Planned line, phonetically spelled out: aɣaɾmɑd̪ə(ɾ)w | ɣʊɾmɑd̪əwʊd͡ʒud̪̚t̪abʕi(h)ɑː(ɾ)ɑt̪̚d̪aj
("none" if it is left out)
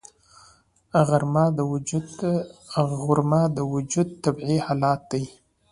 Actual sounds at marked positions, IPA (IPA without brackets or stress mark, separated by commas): none, h, l